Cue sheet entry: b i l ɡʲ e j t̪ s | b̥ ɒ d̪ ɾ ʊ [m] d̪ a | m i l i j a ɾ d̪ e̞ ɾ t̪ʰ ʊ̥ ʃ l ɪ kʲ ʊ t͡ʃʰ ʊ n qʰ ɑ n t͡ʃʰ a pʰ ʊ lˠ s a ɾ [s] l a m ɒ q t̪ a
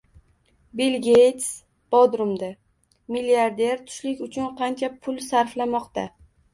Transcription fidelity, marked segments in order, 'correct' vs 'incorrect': correct, incorrect: f

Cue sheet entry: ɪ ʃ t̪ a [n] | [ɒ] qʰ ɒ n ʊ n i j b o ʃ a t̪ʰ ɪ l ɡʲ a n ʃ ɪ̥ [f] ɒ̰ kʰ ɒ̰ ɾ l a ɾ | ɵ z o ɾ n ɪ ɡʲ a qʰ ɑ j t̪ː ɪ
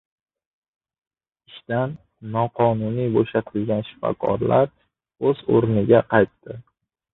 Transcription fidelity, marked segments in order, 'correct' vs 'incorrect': incorrect: nː, correct, correct

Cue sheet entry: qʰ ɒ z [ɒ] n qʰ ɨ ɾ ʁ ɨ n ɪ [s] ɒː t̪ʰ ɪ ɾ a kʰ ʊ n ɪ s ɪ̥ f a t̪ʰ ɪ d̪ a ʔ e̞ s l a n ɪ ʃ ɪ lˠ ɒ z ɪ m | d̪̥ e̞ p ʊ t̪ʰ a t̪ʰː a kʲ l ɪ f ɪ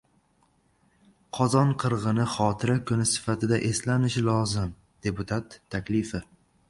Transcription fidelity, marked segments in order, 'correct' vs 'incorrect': correct, incorrect: χ

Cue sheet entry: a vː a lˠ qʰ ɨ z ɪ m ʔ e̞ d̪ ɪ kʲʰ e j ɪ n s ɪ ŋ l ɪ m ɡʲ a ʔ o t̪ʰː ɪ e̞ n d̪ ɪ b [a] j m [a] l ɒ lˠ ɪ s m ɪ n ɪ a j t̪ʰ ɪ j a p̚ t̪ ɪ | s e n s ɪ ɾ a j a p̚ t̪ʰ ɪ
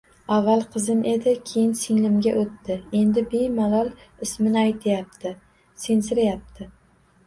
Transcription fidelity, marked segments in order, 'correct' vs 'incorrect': incorrect: e, correct

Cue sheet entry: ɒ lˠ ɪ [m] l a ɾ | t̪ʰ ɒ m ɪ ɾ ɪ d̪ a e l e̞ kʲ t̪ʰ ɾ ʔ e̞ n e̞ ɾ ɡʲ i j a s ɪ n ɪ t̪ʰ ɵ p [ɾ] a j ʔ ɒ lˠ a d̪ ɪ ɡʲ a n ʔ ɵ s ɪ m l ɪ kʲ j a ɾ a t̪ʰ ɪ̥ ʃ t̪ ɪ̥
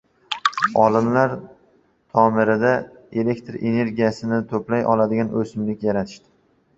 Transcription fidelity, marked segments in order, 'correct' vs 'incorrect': correct, incorrect: l

